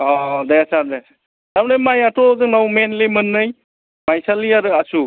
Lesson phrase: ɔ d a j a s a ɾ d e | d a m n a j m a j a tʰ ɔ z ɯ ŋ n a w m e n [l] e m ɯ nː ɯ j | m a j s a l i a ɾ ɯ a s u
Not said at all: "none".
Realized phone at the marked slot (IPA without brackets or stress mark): l